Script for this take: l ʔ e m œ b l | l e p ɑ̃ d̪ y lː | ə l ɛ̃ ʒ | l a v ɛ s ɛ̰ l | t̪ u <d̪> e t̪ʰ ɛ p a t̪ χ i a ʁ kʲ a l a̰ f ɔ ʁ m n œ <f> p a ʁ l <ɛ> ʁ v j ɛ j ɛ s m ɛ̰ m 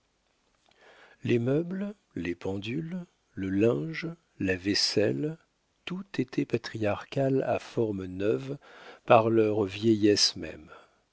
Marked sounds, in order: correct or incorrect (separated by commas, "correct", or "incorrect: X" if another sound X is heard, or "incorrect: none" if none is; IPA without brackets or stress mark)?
incorrect: t̪, incorrect: v, incorrect: œ